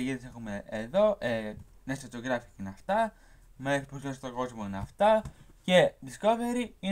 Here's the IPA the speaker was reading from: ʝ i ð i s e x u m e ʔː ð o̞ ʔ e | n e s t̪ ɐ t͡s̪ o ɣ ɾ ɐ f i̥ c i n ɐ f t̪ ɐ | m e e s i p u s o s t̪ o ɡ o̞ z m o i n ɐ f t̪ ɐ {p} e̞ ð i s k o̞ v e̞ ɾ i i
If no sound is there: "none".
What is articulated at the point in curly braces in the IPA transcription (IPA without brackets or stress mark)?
c